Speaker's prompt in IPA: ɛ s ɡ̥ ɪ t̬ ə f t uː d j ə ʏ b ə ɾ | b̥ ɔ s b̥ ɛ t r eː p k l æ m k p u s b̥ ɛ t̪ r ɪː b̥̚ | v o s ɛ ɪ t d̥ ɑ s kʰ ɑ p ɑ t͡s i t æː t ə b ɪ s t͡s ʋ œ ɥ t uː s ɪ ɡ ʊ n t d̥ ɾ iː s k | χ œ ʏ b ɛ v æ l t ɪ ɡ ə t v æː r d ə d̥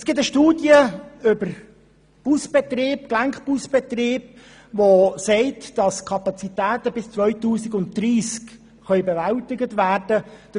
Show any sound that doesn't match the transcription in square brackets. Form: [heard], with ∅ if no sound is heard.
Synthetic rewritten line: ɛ s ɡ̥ ɪ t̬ ə [ʃ] t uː d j ə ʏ b ə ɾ | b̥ [u] s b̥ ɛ t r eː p k l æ [ŋ] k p u s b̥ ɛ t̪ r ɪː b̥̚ | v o s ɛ ɪ t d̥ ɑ s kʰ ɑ p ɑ t͡s i t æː t ə b ɪ s t͡s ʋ œ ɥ t uː s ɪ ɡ ʊ n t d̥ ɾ iː s k | χ œ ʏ b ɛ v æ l t ɪ ɡ ə t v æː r d ə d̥